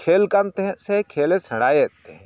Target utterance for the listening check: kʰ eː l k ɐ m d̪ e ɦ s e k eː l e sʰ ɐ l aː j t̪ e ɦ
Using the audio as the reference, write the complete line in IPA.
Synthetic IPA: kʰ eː l k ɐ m t̪ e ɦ s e kʰ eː l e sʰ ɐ ɽ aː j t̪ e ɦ